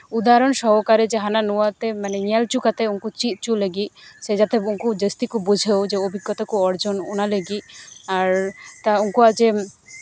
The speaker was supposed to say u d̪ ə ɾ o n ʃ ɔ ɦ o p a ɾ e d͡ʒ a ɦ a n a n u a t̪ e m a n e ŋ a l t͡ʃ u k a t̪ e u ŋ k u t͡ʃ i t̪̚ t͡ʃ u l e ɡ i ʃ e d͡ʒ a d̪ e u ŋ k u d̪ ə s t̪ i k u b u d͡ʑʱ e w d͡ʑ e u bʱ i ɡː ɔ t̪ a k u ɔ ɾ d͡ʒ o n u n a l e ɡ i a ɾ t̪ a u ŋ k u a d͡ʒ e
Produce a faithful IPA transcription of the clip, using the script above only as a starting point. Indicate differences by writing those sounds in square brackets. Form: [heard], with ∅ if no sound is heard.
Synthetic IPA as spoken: u d̪ [a] ɾ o n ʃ ɔ ɦ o [k] a ɾ e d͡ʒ [e] ɦ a n a n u a t̪ e m a n e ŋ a l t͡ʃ u k a t̪ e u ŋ k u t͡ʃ i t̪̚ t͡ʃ u l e ɡ i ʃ e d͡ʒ a [t̪] e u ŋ k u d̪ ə s t̪ i k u b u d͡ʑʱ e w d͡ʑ e [o] bʱ i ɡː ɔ t̪ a k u ɔ ɾ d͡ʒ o n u n a l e ɡ i a ɾ t̪ a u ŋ k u a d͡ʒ e

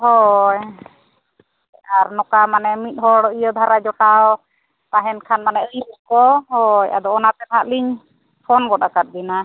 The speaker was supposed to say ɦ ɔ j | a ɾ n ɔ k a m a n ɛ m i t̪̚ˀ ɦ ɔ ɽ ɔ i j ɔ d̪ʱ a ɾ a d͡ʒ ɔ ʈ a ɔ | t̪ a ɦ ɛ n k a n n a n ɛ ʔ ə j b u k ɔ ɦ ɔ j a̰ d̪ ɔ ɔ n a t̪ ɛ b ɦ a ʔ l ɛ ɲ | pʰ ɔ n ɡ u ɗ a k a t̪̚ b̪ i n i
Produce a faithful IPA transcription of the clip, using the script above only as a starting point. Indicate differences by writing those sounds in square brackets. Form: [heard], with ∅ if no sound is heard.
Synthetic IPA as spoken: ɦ ɔ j | a ɾ n ɔ k a m a n ɛ m i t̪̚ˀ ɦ ɔ ɽ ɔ i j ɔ d̪ʱ a ɾ a d͡ʒ ɔ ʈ a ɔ | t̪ a ɦ ɛ n [kʰ] a n [m] a n ɛ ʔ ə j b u k ɔ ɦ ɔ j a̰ d̪ ɔ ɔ n a t̪ ɛ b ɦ a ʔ l [i] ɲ | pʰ ɔ n ɡ [ɔ] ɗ a k a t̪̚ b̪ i n [a]

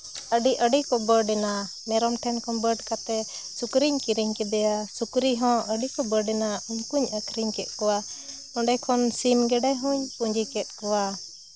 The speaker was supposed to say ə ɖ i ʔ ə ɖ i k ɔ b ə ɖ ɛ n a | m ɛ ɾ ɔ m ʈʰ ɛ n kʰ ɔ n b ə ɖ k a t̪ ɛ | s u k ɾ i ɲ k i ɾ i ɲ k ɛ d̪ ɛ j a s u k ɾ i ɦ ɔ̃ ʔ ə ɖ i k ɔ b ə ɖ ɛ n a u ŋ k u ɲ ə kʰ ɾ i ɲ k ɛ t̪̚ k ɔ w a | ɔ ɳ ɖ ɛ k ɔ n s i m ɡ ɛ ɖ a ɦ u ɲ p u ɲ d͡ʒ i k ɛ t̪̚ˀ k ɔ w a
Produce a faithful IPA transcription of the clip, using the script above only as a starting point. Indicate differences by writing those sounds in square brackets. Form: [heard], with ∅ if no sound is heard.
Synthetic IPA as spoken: ə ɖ i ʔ ə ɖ i k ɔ b ə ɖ ɛ n a | m ɛ ɾ ɔ m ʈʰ ɛ n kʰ ɔ n b ə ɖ k a t̪ ɛ | s u k ɾ i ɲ k i ɾ i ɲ k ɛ d̪ ɛ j a s u k ɾ i ɦ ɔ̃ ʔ ə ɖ i k ɔ b ə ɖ ɛ n a u [ɲ] k u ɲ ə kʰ ɾ i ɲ k ɛ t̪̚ k ɔ w a | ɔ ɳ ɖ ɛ [kʰ] ɔ n s i m ɡ ɛ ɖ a ɦ u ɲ p u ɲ d͡ʒ i k ɛ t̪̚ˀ k ɔ w a

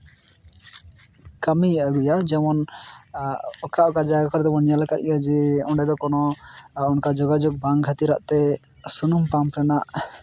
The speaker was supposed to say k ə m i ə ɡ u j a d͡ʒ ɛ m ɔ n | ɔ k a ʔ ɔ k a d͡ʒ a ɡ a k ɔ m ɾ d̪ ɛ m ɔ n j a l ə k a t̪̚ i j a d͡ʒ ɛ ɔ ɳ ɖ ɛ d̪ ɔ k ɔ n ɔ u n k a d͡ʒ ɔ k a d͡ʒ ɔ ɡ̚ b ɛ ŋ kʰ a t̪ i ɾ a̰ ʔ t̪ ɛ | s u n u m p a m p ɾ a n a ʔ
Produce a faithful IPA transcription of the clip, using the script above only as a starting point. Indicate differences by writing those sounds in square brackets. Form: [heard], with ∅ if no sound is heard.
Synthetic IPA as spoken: k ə m i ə ɡ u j a d͡ʒ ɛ m ɔ n | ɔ k a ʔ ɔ k a d͡ʒ a ɡ a k ɔ [∅] ɾ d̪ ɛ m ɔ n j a l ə k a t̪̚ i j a d͡ʒ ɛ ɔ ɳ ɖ ɛ d̪ ɔ k ɔ n ɔ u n k a d͡ʒ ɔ [ɡ] a d͡ʒ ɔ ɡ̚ b [a] ŋ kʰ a t̪ i ɾ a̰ ʔ t̪ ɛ | s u n u m p a m p ɾ [ɛ] n a ʔ

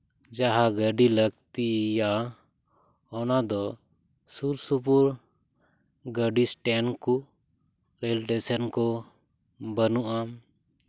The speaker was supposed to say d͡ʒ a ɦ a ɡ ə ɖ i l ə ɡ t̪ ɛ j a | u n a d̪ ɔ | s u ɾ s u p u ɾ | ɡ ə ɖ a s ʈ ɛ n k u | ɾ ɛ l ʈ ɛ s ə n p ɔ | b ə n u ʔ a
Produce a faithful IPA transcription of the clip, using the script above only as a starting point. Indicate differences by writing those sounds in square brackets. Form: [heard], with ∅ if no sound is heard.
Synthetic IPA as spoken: d͡ʒ a ɦ a ɡ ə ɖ i l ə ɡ t̪ [i] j a | [ɔ] n a d̪ ɔ | s u ɾ s u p u ɾ | ɡ ə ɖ [i] s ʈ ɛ n k u | ɾ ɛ l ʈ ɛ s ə n [k] ɔ | b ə n u ʔ a

